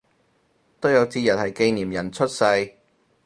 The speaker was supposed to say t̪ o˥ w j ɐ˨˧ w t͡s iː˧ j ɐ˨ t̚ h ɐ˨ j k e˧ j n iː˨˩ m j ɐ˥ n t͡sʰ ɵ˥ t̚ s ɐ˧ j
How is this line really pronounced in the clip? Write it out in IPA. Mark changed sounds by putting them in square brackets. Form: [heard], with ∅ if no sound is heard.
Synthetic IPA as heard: t̪ o˥ w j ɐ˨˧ w t͡s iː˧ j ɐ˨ t̚ h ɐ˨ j k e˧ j n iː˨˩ m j [ɐ˨˩] n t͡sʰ ɵ˥ t̚ s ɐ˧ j

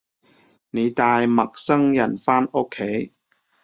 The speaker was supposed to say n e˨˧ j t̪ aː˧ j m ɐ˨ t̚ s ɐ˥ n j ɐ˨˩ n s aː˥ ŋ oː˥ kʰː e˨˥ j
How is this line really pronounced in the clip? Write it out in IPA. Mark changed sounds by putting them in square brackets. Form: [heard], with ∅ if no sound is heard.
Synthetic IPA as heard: n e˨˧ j t̪ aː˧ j m ɐ˨ [k̚] s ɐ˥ [ŋ] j ɐ˨˩ n [f] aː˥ [n] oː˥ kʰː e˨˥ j

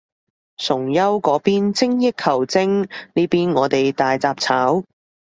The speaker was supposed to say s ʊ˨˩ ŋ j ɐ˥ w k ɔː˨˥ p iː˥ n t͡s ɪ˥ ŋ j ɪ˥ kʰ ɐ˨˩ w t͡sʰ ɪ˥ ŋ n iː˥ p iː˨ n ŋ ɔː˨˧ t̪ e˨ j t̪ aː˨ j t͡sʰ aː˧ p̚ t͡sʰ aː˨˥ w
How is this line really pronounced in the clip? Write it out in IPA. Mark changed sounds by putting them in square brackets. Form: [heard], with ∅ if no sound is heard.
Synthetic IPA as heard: s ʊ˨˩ ŋ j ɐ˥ w k ɔː˨˥ p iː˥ n t͡s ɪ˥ ŋ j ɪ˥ kʰ ɐ˨˩ w [t͡s] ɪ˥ ŋ n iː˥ p [iː˥] n ŋ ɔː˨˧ t̪ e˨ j t̪ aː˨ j [t͡s] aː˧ p̚ t͡sʰ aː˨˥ w

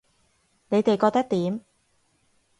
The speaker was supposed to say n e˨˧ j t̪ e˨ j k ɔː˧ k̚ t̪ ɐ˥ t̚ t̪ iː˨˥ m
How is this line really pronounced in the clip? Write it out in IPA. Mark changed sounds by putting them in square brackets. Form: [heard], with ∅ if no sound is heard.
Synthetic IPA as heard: n e˨˧ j t̪ e˨ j k ɔː˧ k̚ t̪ ɐ˥ [k̚] t̪ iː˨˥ m

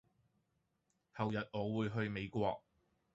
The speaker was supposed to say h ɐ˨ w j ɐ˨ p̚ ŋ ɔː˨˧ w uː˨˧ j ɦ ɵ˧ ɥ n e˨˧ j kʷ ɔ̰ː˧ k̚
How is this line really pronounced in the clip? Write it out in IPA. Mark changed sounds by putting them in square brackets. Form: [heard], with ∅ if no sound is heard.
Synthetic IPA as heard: h ɐ˨ w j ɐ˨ [t̚] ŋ ɔː˨˧ w uː˨˧ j ɦ ɵ˧ ɥ [m] e˨˧ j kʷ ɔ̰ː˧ k̚

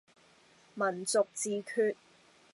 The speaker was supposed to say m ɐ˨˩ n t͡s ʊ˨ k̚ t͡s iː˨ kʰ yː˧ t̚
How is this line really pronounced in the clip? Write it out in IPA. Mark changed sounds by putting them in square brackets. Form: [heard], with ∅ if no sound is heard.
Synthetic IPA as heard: m ɐ˨˩ n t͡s ʊ˨ k̚ t͡s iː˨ kʰ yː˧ t̚

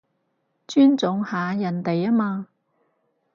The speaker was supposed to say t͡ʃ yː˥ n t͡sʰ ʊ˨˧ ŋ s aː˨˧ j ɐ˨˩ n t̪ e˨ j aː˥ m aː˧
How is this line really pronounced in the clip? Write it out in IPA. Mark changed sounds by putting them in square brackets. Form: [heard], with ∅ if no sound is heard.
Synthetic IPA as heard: t͡ʃ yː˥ n [t͡s] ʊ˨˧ ŋ [h] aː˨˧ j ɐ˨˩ n t̪ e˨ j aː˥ m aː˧

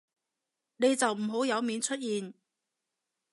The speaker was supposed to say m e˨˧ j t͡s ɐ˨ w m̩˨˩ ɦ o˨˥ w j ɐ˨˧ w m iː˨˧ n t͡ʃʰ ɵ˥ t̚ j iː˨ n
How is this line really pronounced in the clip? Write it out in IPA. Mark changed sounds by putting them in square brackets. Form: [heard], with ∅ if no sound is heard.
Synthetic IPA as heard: [n] e˨˧ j t͡s ɐ˨ w m̩˨˩ ɦ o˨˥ w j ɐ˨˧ w m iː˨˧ n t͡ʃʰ ɵ˥ t̚ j iː˨ n

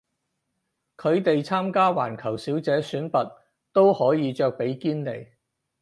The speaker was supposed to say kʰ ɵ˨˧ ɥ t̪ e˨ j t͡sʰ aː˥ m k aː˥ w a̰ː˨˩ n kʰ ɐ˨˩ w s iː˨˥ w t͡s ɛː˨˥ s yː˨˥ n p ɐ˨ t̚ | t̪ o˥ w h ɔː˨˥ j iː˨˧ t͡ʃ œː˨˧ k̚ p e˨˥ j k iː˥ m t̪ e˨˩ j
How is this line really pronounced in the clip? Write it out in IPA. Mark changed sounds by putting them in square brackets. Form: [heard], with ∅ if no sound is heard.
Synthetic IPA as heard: kʰ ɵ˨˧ ɥ t̪ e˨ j t͡sʰ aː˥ m k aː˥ w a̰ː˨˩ n kʰ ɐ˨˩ w s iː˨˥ w t͡s ɛː˨˥ s yː˨˥ n p ɐ˨ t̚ | t̪ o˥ w h ɔː˨˥ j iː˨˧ t͡ʃ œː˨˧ k̚ p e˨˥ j k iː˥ [n] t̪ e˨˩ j

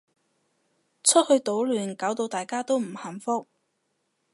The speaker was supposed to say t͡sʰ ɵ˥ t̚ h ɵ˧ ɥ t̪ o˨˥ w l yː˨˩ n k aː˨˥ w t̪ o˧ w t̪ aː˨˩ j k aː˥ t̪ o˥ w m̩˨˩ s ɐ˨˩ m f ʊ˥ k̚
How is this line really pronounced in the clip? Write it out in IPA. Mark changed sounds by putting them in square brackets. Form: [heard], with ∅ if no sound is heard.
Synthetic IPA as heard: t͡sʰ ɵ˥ t̚ h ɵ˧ ɥ t̪ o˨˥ w l yː˨˩ n k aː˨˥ w t̪ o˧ w t̪ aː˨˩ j k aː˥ t̪ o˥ w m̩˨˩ [h] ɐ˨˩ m f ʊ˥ k̚

